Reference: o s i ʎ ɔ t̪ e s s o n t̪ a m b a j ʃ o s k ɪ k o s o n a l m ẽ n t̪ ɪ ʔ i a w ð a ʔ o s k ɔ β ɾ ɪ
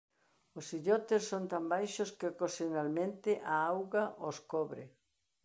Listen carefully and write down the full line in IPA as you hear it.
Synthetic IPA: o s i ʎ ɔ t̪ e s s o n t̪ a m b a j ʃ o s k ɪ k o s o n a l m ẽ n t̪ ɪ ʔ a a w ɣ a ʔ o s k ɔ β ɾ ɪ